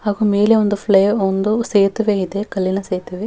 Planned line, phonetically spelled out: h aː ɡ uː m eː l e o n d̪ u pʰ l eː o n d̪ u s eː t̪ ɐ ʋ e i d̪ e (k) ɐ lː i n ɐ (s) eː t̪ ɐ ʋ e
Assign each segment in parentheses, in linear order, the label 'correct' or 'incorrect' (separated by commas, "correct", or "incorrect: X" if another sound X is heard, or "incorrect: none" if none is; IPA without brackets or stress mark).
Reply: correct, correct